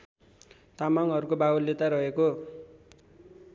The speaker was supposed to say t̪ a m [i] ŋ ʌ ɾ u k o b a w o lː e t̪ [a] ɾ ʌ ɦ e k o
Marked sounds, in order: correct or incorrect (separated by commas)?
incorrect, correct